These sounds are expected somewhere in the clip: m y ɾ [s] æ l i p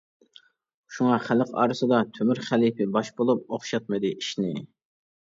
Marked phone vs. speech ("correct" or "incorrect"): incorrect